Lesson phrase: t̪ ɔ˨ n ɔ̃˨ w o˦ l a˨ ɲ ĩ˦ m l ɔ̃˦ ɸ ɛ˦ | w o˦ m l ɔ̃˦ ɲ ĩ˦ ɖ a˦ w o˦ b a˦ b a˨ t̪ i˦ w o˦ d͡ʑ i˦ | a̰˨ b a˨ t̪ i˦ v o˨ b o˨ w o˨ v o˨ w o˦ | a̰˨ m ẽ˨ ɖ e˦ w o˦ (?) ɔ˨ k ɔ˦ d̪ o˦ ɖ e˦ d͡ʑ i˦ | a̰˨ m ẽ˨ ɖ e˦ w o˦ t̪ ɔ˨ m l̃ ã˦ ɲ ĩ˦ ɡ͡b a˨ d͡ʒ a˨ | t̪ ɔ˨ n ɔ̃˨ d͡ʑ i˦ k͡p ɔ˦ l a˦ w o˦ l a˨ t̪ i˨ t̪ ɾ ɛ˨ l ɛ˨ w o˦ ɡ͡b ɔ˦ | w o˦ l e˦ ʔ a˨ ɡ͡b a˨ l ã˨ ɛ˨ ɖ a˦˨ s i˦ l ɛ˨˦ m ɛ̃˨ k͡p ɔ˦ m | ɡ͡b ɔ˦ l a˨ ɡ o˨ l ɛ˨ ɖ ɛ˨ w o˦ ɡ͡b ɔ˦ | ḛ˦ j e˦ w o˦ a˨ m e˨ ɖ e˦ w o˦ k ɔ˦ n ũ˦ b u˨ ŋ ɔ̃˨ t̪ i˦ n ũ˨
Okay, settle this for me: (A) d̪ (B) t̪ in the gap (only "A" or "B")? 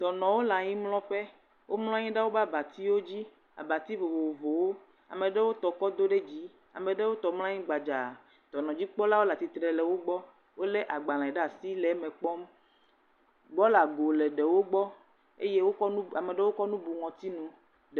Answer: B